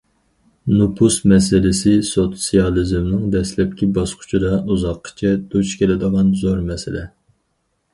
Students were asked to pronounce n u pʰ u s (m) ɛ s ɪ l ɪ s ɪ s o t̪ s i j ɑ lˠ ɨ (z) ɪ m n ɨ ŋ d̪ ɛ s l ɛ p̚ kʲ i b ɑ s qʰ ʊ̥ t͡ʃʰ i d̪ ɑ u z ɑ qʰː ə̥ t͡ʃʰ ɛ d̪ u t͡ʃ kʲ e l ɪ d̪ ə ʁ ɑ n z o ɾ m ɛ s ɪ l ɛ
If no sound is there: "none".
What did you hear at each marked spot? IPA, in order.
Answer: m, z

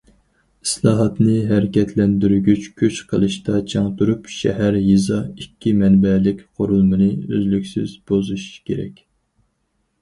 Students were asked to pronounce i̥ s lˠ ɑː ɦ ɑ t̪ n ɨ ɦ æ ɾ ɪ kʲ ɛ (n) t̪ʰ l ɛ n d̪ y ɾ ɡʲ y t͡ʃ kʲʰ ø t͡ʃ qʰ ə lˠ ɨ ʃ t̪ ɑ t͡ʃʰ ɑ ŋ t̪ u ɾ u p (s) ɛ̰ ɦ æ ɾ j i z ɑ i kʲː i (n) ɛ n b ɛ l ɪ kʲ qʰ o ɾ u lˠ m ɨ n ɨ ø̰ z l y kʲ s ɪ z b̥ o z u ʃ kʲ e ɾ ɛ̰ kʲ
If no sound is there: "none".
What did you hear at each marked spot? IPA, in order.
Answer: none, ʃ, m

